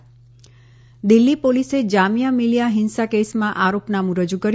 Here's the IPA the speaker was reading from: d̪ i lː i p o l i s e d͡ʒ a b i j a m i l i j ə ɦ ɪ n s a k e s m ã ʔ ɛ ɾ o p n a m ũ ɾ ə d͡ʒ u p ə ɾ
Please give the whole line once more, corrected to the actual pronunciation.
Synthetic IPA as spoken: d̪ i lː i p o l i s e d͡ʒ a m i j a m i l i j a ɦ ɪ n s a k e s m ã ʔ a ɾ o p n a m ũ ɾ ə d͡ʒ u k ə ɾ